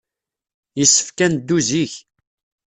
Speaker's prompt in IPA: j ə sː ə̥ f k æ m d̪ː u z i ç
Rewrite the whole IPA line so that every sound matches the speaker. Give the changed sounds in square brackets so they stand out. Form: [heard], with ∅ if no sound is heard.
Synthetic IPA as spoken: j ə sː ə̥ f k æ [n] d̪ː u z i ç